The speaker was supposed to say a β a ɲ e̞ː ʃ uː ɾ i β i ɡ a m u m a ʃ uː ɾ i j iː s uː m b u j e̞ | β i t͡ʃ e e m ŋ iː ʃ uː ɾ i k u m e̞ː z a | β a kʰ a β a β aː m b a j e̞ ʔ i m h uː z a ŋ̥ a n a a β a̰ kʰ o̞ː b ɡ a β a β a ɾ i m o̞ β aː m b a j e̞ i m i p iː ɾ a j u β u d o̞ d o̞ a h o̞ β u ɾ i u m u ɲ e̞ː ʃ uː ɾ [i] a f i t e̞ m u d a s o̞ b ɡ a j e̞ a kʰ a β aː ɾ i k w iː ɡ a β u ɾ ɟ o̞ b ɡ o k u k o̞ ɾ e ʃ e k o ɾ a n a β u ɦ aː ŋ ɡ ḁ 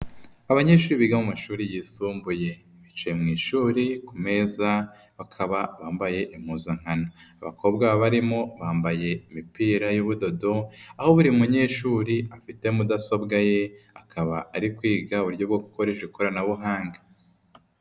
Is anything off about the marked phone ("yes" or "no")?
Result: no